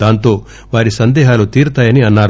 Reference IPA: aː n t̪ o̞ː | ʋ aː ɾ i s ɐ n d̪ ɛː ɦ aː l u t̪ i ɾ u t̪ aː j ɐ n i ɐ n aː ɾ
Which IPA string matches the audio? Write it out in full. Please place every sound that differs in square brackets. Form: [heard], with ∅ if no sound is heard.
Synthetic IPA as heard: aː n t̪ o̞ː | ʋ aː ɾ i s ɐ n d̪ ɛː ɦ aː l u t̪ [iː] ɾ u t̪ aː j ɐ n i ɐ [nː] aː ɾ